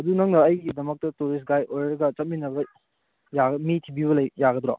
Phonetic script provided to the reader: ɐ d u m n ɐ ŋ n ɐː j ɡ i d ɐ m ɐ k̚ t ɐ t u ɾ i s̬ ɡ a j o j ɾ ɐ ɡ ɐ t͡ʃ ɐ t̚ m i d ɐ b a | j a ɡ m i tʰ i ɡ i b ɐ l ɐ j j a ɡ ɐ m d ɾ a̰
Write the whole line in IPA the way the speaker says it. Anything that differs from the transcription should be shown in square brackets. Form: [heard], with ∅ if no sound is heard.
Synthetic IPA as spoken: ɐ d u [∅] n ɐ ŋ n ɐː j ɡ i d ɐ m ɐ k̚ t ɐ t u ɾ i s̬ ɡ a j o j ɾ ɐ ɡ ɐ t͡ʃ ɐ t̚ m i [n] ɐ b [ɐ] | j a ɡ m i tʰ i [b] i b ɐ l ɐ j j a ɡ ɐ [∅] d ɾ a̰